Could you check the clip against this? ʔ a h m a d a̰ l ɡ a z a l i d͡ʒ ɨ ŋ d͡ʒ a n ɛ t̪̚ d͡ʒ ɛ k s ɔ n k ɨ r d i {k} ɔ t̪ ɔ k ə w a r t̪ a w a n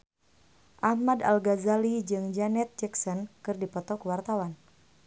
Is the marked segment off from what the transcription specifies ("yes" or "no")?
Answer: yes